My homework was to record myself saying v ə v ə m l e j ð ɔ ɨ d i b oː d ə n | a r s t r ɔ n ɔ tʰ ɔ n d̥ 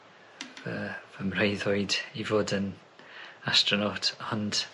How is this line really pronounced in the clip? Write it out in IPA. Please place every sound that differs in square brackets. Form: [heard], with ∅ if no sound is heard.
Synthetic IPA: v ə v ə m [r] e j ð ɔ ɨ d i [v] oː d ə n | a [∅] s t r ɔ n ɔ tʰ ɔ n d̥